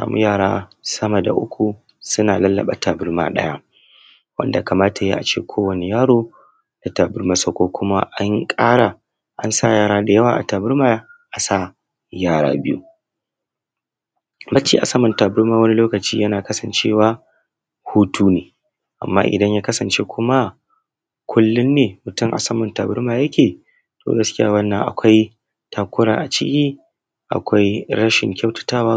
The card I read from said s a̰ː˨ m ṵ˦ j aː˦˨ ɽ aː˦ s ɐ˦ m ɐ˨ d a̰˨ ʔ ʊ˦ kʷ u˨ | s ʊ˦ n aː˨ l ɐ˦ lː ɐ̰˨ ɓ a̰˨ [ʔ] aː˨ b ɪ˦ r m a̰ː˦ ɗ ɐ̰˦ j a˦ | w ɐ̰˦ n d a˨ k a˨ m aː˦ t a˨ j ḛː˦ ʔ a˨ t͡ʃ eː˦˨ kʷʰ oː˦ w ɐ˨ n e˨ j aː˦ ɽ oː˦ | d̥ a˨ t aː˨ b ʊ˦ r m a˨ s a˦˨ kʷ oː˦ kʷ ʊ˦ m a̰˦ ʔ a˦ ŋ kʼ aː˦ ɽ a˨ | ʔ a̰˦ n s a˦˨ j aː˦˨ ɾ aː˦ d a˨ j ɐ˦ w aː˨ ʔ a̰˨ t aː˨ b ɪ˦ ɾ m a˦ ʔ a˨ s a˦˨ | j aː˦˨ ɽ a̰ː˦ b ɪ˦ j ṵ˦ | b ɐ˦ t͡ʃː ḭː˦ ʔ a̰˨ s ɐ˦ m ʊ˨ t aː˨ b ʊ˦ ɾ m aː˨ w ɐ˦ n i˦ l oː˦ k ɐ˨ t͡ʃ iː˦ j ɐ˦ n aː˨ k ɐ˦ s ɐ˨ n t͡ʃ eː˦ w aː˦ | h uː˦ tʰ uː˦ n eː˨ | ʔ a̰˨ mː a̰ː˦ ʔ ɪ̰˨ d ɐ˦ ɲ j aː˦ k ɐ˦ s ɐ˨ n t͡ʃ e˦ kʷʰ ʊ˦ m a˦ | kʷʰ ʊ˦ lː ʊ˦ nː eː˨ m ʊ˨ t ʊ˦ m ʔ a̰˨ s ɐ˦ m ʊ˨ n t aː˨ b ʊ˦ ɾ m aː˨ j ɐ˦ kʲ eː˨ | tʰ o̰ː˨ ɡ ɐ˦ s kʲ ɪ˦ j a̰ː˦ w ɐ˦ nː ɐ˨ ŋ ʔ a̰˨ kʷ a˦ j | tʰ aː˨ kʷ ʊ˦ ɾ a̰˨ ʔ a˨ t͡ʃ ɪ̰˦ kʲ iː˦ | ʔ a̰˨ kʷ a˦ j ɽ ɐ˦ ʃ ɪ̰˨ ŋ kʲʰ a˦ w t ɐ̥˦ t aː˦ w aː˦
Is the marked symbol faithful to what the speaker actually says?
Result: no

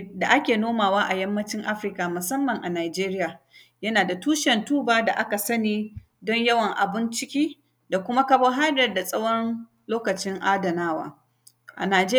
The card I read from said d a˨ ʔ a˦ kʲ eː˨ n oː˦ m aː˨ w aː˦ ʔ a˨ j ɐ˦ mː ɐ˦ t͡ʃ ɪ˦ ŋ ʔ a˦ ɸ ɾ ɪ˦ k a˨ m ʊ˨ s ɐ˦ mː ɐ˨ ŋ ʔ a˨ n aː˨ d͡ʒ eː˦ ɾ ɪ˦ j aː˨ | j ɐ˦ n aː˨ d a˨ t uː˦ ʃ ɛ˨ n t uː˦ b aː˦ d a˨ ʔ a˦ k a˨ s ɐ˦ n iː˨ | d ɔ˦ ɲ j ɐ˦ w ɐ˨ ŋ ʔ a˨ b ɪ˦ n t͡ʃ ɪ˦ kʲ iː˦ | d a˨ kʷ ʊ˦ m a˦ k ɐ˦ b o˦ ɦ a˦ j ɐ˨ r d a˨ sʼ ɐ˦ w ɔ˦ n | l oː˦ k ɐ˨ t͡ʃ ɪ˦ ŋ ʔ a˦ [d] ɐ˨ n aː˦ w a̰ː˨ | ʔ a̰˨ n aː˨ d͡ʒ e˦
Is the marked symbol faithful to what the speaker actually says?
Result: yes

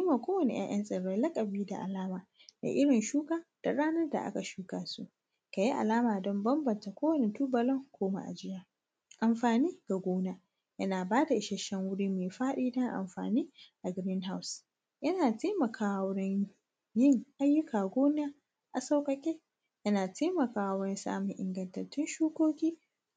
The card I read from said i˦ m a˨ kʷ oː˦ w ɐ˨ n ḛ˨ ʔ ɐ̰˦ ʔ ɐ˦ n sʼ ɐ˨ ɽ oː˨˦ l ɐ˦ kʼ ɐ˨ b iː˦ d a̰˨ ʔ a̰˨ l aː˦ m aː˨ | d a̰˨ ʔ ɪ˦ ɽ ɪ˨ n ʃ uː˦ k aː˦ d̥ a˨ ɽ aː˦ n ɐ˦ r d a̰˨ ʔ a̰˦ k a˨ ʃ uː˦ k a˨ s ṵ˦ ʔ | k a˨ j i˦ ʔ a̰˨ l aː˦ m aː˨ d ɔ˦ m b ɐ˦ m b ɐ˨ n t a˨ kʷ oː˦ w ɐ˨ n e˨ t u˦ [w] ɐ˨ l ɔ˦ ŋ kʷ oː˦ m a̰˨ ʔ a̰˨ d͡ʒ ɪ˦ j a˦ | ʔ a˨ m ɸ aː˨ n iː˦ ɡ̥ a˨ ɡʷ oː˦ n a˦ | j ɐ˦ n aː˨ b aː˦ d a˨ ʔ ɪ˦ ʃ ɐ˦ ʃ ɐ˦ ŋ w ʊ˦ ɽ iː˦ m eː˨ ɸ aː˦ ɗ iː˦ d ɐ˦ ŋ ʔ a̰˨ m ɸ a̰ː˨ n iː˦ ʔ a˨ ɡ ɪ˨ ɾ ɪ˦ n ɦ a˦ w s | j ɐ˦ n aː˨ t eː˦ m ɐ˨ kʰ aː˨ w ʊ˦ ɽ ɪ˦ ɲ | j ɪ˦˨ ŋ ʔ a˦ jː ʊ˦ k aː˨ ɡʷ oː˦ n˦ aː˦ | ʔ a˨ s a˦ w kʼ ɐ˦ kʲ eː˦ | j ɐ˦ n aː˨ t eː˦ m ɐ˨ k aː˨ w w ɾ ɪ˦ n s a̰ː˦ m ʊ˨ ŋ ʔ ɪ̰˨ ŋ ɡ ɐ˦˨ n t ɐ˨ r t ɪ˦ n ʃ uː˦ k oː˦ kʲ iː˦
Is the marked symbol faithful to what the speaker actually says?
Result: no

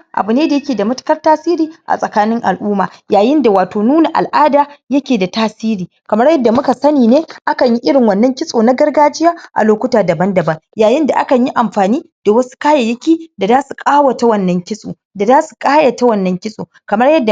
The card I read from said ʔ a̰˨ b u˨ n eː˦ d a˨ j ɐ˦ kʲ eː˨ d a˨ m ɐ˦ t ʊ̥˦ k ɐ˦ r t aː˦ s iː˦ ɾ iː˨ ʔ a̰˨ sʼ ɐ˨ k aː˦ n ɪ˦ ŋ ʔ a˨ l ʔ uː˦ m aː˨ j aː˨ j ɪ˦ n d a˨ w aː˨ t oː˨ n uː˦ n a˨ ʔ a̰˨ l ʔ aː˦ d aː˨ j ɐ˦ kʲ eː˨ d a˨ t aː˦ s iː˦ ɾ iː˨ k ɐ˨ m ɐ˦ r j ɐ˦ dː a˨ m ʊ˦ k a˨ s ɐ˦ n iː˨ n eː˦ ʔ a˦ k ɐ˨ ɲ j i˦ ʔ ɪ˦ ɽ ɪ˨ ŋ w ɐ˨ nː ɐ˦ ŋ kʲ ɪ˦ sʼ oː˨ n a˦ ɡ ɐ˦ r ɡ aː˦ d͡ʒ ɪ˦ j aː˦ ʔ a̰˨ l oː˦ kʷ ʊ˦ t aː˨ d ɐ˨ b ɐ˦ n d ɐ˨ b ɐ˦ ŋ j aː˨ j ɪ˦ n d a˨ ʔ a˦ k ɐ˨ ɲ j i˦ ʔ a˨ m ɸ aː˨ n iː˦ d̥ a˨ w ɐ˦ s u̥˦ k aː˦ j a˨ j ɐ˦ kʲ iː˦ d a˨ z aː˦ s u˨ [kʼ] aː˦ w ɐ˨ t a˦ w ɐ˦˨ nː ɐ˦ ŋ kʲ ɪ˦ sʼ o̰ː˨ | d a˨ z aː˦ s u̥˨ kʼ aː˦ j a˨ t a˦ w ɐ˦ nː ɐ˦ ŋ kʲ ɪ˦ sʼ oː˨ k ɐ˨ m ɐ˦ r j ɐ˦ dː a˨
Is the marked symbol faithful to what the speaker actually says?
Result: yes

